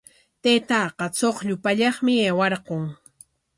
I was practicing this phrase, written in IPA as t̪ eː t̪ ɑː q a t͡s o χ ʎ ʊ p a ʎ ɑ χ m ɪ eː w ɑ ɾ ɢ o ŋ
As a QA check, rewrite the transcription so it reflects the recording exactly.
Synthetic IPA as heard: t̪ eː t̪ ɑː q ɑ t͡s o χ ʎ ʊ p a ʎ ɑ χ m ɪ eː w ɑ ɾ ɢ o ŋ